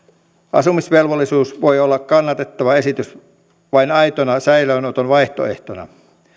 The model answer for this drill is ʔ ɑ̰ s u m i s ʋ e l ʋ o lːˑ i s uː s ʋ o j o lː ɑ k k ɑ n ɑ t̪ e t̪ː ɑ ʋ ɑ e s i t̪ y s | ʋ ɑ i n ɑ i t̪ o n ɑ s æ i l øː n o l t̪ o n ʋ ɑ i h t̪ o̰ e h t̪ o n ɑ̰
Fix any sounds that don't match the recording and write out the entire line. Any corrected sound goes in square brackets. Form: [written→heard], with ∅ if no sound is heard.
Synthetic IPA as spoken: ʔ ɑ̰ s u m i s ʋ e l ʋ o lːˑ i s uː s ʋ o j o lː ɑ k k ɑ [n→nː] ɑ t̪ e t̪ː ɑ ʋ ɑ e s i t̪ y s | ʋ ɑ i n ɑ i t̪ o n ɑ s æ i l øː n o [l→∅] t̪ o n ʋ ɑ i h t̪ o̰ e h t̪ o n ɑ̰